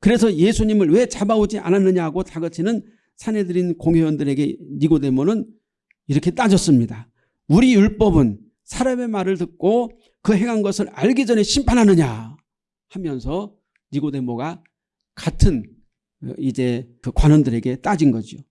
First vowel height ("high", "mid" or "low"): high